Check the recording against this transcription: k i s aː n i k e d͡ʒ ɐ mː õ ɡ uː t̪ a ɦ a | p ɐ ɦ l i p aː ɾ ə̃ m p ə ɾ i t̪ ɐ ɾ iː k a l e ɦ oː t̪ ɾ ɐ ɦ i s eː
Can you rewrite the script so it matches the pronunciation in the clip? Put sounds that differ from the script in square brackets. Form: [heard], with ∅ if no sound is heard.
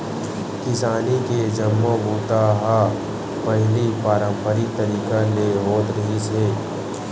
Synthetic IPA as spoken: k [ɪ] s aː n i k e d͡ʒ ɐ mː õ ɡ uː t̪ a ɦ a | p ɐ ɦ l i p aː ɾ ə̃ m p ə ɾ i t̪ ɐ ɾ iː k a l e ɦ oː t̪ ɾ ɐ ɦ i s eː

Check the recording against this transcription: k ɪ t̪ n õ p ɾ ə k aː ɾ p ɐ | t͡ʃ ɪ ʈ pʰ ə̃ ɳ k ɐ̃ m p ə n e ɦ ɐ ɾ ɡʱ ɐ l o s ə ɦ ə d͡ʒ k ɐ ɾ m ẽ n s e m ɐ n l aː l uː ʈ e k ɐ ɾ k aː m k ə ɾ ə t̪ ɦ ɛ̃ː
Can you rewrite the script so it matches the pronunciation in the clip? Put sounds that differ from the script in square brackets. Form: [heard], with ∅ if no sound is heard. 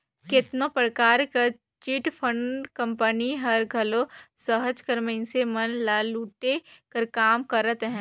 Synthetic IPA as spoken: k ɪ t̪ n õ p ɾ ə k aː ɾ [k] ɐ | t͡ʃ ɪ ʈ pʰ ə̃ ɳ k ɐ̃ m p ə n [i] ɦ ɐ ɾ ɡʱ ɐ l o s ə ɦ ə d͡ʒ k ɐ ɾ m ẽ n s e m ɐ n l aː l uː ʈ e k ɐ ɾ k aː m k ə ɾ ə t̪ ɦ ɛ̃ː

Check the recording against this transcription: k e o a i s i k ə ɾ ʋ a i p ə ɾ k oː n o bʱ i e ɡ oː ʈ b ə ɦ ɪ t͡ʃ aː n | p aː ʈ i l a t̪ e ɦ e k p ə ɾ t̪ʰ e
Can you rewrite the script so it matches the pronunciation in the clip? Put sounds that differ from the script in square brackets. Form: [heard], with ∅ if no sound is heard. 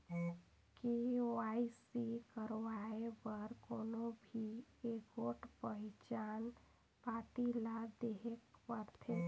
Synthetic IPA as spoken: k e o a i s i k ə ɾ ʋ a [e] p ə ɾ k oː n o bʱ i e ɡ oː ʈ [p] ə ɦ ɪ t͡ʃ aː n | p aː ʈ i l a [d̪] e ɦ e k p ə ɾ t̪ʰ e

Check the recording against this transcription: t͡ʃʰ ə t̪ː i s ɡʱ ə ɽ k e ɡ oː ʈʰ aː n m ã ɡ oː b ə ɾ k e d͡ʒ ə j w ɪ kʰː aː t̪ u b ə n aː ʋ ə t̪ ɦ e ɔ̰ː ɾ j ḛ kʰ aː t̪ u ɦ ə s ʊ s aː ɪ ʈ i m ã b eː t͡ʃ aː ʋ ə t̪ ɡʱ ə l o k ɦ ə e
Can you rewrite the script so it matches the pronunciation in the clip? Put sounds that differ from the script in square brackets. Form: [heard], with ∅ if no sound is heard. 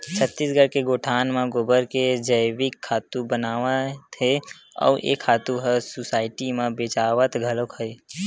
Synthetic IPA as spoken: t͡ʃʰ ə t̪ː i s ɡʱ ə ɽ k e ɡ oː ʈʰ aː n m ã ɡ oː b ə ɾ k e d͡ʒ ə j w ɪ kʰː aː t̪ u b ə n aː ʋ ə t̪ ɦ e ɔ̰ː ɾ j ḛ kʰ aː t̪ u ɦ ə s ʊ s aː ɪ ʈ i m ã b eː t͡ʃ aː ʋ ə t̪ ɡʱ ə l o k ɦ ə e

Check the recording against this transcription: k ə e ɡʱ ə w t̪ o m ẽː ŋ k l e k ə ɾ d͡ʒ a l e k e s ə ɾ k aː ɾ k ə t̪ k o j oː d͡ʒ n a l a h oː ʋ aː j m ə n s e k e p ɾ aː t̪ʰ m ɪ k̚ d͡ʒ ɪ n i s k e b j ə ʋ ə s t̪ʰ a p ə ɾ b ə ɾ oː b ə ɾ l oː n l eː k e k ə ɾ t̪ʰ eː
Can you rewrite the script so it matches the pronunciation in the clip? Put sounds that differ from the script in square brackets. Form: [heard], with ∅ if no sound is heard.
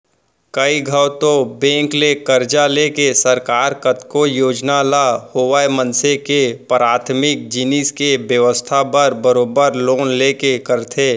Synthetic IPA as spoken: k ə [i] ɡʱ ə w t̪ o [b] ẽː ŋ k l e k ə ɾ d͡ʒ a l e k e s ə ɾ k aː ɾ k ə t̪ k o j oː d͡ʒ n a l a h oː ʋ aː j m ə n s e k e p ɾ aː t̪ʰ m ɪ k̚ d͡ʒ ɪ n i s k e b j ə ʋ ə s t̪ʰ a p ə ɾ b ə ɾ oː b ə ɾ l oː n l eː k e k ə ɾ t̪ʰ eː

